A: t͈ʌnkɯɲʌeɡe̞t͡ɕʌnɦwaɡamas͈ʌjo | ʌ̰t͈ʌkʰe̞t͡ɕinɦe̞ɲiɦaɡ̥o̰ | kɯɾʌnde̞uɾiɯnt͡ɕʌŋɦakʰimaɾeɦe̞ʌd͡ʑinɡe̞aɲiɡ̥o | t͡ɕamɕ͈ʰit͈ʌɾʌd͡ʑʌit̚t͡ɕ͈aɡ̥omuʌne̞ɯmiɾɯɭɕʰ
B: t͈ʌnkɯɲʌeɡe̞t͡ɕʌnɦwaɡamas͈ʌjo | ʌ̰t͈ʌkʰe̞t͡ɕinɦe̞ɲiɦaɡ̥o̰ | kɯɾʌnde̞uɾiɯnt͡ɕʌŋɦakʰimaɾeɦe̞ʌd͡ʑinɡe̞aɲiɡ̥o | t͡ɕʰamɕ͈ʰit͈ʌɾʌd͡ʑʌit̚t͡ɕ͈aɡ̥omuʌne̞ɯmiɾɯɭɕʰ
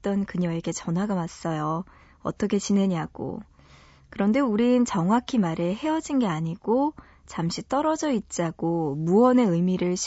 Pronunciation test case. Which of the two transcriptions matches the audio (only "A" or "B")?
A